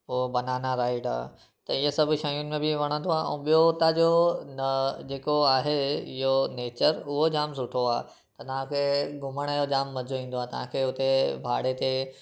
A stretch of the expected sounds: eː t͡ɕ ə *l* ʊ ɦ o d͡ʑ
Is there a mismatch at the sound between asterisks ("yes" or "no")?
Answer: yes